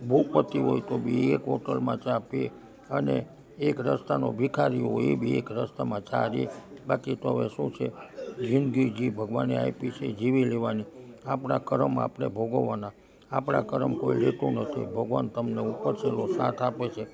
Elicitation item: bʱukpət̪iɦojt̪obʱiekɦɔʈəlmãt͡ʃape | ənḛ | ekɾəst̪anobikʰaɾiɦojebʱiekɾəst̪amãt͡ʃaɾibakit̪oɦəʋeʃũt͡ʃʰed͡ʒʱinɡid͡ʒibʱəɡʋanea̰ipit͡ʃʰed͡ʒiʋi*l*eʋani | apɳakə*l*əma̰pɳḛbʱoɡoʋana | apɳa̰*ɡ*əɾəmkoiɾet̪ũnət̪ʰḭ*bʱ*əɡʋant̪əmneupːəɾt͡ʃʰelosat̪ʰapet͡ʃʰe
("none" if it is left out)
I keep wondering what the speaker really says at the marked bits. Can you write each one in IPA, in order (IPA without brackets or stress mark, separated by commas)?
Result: l, ɾ, k, bʱ